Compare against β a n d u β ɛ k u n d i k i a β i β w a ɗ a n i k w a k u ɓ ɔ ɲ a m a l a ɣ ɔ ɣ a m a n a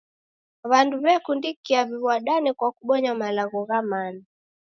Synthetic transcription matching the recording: β a n d u β ɛ k u n d i k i a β i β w a ɗ a n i k w a k u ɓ ɔ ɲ a m a l a ɣ ɔ ɣ a m a n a